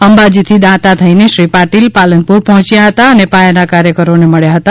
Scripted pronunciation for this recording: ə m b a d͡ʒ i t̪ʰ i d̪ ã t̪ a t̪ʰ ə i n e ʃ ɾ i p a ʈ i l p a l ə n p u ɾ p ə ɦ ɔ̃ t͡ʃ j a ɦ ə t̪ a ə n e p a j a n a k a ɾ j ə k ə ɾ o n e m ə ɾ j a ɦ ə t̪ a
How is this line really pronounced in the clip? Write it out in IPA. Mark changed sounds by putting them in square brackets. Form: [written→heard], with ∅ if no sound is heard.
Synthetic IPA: ə m b a d͡ʒ i t̪ʰ i d̪ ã t̪ a t̪ʰ ə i n e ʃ ɾ i p a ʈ i l p a l ə n p u ɾ p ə ɦ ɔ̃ t͡ʃ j a ɦ ə t̪ a ə n e p a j a n a k a ɾ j ə k ə ɾ o n e m ə [ɾ→ɭ] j a ɦ ə t̪ a